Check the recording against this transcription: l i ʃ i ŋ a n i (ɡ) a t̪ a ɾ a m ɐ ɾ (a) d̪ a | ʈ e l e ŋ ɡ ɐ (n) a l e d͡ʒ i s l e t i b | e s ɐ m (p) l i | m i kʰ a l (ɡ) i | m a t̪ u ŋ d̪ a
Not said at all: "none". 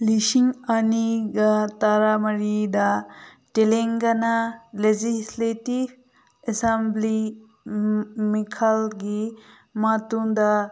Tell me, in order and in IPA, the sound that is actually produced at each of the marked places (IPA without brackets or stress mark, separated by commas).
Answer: ɡ, i, n, b, ɡ